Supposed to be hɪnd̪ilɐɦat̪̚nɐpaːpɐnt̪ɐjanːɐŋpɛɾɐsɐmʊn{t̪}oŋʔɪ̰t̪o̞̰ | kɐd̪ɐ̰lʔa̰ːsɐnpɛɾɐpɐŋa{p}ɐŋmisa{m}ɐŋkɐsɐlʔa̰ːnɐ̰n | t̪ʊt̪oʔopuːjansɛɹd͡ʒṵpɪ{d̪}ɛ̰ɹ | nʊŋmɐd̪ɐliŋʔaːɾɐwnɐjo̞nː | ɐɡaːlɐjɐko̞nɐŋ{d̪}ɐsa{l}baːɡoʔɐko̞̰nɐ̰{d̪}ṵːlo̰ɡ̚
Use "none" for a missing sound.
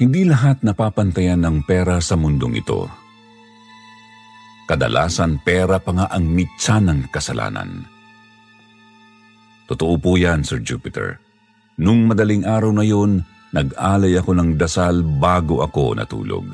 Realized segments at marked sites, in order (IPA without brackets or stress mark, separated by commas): d̪, ʔ, n, t̪, d̪, l, t̪